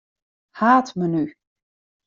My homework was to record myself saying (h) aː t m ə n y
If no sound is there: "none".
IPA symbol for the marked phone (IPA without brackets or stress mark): h